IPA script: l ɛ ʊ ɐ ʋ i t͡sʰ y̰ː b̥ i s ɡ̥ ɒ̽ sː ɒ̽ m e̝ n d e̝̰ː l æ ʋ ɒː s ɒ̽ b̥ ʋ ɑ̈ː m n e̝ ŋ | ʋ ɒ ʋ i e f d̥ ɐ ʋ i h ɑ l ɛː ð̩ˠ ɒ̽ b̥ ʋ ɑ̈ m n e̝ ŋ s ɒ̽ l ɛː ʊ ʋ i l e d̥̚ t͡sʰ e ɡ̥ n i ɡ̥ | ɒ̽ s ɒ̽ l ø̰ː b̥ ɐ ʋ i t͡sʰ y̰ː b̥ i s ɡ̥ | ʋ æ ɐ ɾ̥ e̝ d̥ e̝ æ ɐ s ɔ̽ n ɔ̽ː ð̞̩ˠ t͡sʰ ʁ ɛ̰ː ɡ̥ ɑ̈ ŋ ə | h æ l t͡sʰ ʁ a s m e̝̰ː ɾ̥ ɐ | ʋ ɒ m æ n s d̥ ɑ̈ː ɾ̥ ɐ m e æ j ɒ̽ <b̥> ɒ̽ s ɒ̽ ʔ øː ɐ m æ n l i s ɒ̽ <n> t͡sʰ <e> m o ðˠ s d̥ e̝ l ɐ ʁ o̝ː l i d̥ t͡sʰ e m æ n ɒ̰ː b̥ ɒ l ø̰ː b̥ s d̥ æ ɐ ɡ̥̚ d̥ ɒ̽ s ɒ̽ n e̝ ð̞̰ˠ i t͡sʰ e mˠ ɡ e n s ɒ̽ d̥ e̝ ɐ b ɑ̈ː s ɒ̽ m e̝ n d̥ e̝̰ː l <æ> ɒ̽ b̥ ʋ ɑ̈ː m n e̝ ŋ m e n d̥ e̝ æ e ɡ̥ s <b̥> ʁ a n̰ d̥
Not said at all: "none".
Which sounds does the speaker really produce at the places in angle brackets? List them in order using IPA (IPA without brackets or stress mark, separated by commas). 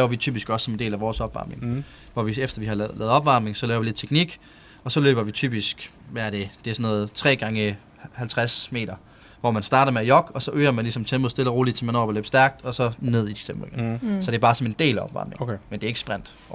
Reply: ɡ̥, m, e, æ, b̥